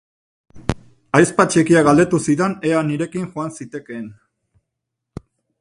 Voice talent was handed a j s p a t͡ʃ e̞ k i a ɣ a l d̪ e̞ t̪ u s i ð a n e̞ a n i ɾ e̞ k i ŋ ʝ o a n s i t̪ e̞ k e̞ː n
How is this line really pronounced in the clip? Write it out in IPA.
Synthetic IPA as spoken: a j s p a t͡ʃ e̞ k i a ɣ a l d̪ e̞ t̪ u s i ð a n e̞ a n i ɾ e̞ k i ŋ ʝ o a n s i t̪ e̞ k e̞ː n